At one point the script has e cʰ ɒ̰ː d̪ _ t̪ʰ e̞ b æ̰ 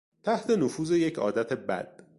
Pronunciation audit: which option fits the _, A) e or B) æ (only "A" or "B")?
B